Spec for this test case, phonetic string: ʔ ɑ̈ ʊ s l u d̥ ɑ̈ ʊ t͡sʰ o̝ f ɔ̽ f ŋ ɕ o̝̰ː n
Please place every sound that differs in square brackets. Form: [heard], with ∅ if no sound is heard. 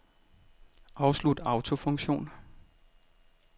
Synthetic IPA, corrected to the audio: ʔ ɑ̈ ʊ s l u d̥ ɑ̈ ʊ t͡sʰ o̝ f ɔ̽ [∅] ŋ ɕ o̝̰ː n